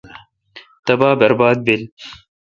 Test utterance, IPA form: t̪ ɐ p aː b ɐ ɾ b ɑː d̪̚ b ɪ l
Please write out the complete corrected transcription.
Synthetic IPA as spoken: t̪ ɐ b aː b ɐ ɾ b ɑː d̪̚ b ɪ l